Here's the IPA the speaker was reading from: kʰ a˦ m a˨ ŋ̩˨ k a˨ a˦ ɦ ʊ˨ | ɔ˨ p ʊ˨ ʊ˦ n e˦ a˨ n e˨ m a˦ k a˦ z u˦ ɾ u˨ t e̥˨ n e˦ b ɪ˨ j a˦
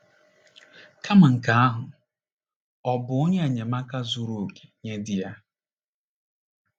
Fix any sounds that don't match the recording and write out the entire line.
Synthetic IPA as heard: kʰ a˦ m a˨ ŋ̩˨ k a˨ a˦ ɦ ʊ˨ | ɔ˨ b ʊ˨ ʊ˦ ɲ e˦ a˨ ɲ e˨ m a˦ k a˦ z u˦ ɾ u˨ k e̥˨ ɲ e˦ d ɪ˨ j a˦

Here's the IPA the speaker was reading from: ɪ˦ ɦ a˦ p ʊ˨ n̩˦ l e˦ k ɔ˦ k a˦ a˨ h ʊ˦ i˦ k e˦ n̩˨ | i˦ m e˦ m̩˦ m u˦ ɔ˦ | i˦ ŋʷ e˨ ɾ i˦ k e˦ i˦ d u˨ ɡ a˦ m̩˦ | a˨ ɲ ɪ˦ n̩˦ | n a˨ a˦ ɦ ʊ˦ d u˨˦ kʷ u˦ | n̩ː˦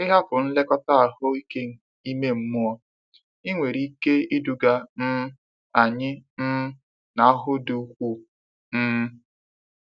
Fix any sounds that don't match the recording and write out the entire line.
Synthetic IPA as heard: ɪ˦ ɦ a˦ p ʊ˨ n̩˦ l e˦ k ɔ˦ t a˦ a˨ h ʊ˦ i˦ k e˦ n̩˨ | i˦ m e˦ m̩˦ m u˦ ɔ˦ | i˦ ŋʷ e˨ ɾ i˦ k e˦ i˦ d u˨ ɡ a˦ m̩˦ | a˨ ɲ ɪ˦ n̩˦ | n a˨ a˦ ɦ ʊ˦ d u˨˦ kʷ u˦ | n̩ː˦

